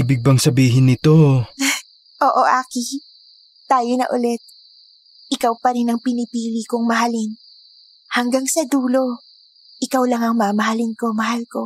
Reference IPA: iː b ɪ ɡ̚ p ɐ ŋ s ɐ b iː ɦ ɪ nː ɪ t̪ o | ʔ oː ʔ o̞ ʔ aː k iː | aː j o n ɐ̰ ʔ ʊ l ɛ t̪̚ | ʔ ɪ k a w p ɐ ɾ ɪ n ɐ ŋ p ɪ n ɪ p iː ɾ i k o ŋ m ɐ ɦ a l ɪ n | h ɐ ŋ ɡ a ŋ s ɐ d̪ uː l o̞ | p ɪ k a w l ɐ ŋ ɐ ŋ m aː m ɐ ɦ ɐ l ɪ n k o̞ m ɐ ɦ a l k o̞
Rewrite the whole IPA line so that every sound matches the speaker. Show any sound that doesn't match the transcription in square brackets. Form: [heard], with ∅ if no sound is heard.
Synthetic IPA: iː b ɪ ɡ̚ [b] ɐ ŋ s ɐ b iː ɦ ɪ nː ɪ t̪ o | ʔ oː ʔ o̞ ʔ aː k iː | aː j o n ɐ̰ ʔ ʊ l ɛ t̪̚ | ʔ ɪ k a w p ɐ ɾ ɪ n ɐ ŋ p ɪ n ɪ p iː [l] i k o ŋ m ɐ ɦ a l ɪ n | h ɐ ŋ ɡ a ŋ s ɐ d̪ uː l o̞ | [ʔ] ɪ k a w l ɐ ŋ ɐ ŋ m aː m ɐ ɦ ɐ l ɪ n k o̞ m ɐ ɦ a l k o̞